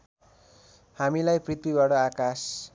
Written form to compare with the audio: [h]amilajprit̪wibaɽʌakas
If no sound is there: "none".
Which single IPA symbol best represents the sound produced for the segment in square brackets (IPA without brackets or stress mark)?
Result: h